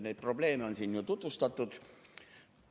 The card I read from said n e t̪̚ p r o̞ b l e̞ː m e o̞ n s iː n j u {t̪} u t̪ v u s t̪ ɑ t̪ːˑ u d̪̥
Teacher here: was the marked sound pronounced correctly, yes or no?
yes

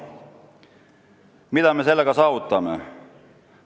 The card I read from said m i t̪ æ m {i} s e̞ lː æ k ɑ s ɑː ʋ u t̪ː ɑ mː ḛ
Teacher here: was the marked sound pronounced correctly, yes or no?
no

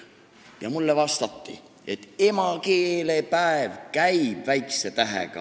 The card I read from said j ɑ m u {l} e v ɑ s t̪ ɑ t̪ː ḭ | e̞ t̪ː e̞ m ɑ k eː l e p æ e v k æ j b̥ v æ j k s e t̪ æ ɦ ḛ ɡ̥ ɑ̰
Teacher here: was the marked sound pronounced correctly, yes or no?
no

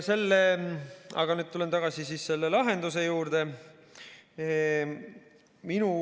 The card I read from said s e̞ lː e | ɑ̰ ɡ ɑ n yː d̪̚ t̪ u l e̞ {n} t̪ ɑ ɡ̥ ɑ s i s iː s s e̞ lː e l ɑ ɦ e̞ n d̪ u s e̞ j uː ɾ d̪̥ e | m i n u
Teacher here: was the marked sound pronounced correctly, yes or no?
yes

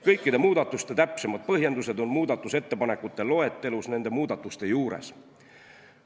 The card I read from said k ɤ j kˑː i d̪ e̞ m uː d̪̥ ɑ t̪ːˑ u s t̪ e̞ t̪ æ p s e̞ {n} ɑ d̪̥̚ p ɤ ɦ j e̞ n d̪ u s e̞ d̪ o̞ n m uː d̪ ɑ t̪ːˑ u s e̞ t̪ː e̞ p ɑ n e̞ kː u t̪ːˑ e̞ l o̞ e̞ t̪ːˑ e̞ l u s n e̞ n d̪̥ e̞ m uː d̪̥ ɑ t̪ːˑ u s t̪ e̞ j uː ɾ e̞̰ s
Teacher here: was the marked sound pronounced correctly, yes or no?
no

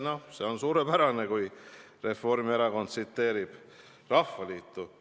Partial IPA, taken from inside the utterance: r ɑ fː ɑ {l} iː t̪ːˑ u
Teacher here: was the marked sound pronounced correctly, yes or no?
yes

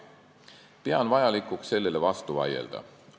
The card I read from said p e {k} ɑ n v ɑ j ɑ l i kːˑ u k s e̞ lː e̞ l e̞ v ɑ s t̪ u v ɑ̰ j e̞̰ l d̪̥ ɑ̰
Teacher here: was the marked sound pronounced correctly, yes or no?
no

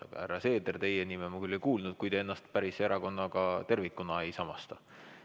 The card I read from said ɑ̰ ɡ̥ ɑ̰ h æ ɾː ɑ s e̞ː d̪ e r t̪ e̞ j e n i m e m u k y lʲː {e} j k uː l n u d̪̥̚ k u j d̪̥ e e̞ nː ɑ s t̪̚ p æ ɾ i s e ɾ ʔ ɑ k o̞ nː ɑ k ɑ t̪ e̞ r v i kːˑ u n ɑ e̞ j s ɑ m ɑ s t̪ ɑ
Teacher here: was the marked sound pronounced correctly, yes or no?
yes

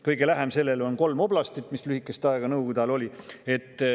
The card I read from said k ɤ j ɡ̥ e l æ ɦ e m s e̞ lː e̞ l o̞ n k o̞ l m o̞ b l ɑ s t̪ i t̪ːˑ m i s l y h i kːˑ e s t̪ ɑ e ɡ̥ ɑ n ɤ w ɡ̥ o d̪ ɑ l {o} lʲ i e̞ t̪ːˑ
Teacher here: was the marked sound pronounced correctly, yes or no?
yes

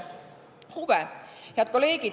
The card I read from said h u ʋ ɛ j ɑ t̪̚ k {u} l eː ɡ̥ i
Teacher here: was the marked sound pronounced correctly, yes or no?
no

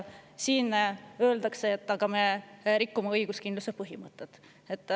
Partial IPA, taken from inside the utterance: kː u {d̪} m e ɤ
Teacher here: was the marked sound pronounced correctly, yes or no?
no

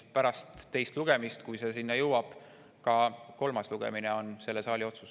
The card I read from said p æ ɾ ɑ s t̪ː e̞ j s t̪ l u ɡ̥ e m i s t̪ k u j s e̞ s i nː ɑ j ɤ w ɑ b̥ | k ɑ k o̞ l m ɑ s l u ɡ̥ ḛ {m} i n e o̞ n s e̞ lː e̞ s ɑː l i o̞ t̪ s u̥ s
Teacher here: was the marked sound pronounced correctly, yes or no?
yes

